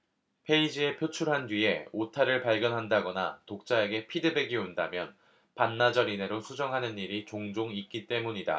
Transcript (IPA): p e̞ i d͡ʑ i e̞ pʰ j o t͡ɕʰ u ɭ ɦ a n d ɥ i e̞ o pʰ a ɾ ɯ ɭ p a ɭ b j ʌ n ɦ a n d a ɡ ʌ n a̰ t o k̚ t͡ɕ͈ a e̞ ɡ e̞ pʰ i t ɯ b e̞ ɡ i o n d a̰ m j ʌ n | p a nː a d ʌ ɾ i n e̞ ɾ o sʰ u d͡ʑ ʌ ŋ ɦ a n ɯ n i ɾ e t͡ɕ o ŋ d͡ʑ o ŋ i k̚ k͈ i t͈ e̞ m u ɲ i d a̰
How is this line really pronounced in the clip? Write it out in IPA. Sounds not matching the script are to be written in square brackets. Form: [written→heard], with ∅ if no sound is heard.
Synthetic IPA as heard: [p→pʰ] e̞ i d͡ʑ i e̞ pʰ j o t͡ɕʰ u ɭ ɦ a n d ɥ i e̞ o [pʰ→tʰ] a ɾ ɯ ɭ p a ɭ [b→ɡ] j ʌ n ɦ a n d a ɡ ʌ n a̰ t o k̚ t͡ɕ͈ a e̞ ɡ e̞ pʰ i [t→d] ɯ b e̞ ɡ i o n d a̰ m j ʌ n | p a nː a [d→d͡ʑ] ʌ ɾ i n e̞ ɾ o sʰ u d͡ʑ ʌ ŋ ɦ a n ɯ n i ɾ [e→i] t͡ɕ o ŋ d͡ʑ o ŋ i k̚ k͈ i t͈ e̞ m u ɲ i d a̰